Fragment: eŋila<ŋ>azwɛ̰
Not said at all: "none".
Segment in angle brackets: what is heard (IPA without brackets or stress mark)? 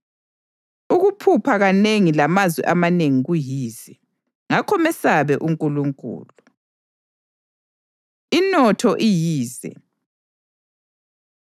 m